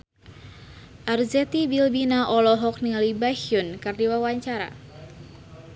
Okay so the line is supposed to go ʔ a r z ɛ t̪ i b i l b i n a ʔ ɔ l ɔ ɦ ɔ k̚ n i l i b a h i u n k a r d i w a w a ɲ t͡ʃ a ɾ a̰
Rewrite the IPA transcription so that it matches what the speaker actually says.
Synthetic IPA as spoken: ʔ a r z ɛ t̪ i b i l b i n a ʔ ɔ l ɔ ɦ ɔ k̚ n i l i b a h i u n k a r d i w a w a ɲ t͡ʃ a ɾ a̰